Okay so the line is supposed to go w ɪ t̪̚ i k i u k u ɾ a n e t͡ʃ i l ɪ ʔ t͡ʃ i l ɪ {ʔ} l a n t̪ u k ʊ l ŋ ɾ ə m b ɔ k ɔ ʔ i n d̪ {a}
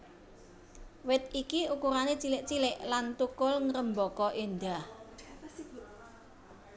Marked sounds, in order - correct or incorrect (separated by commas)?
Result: correct, correct